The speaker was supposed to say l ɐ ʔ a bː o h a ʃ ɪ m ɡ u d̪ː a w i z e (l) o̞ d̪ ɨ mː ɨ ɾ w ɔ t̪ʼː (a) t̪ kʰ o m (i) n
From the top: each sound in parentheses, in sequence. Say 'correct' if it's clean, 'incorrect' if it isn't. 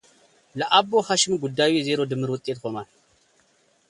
incorrect: ɾ, incorrect: e, incorrect: a

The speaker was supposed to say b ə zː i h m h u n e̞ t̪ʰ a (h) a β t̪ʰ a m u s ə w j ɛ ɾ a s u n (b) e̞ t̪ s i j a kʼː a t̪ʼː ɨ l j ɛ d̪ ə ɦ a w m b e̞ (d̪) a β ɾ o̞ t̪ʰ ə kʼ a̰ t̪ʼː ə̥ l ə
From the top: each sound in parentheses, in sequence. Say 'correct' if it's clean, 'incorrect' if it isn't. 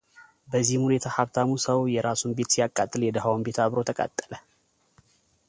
correct, correct, incorrect: t̪

